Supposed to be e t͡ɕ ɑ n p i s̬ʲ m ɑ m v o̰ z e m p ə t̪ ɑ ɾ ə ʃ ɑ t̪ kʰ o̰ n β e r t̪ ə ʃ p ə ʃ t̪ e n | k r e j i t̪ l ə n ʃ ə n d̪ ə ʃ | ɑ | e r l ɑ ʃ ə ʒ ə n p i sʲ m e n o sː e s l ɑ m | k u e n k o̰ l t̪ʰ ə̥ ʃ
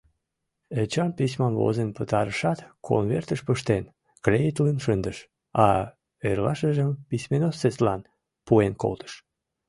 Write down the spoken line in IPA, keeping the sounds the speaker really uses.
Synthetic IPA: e t͡ɕ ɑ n p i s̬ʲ m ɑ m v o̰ z e n p ə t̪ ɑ ɾ ə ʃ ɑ t̪ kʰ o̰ n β e r t̪ ə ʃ p ə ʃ t̪ e n | k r e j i t̪ l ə n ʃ ə n d̪ ə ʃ | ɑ | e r l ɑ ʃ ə ʒ ə m p i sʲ m e n o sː e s l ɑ n | p u e n k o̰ l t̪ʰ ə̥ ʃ